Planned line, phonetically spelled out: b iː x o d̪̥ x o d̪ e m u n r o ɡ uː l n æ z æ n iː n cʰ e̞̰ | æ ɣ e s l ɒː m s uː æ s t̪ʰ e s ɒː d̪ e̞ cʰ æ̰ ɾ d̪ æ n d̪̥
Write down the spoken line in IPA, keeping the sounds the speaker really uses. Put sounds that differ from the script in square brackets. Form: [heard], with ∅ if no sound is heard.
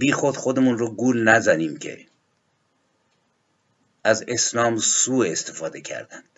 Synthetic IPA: b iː x o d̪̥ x o d̪ e m u n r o ɡ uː l n æ z æ n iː [m] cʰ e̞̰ | æ [z] e s l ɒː m s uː [e] s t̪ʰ e [f] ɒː d̪ e̞ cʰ æ̰ ɾ d̪ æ n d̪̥